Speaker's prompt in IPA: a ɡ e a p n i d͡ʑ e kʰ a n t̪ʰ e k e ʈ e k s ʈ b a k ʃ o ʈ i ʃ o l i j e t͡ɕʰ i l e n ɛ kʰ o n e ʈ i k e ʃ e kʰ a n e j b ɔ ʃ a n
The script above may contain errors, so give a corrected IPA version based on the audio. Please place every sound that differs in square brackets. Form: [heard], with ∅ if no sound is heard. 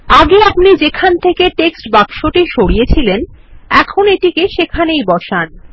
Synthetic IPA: a ɡ e a p n i d͡ʑ e kʰ a n t̪ʰ e k e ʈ e k s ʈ b a k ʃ o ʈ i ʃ o [ɽ] i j e t͡ɕʰ i l e n ɛ kʰ o n e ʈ i k e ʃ e kʰ a n e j b ɔ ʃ a n